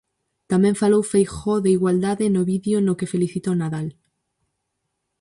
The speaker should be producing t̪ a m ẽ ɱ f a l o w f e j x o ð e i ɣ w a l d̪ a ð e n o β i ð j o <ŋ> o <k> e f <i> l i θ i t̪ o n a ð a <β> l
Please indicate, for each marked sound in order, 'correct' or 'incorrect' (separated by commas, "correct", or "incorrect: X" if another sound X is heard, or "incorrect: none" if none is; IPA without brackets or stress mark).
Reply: incorrect: n, correct, incorrect: e, incorrect: none